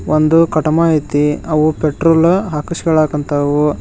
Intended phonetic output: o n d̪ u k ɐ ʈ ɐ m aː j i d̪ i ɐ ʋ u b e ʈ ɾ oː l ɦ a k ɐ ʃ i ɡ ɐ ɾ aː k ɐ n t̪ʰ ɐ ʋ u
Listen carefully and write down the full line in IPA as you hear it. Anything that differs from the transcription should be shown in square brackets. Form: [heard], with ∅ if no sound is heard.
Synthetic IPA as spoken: o n d̪ u k ɐ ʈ ɐ m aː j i [t̪] i ɐ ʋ u [p] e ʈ ɾ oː l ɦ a k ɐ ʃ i ɡ ɐ [ɭ] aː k ɐ n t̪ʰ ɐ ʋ u